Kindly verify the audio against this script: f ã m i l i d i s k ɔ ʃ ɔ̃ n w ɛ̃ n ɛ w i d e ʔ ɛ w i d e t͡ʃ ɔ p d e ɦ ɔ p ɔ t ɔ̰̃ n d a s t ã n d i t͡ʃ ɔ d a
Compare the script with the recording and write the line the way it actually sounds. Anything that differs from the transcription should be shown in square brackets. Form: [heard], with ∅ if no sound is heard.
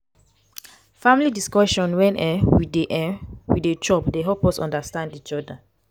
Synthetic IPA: f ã m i l i d i s k ɔ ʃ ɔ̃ n w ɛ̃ n ɛ w i d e ʔ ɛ w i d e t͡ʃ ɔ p d e ɦ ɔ p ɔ [s] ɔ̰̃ n d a s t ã n d i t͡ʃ ɔ d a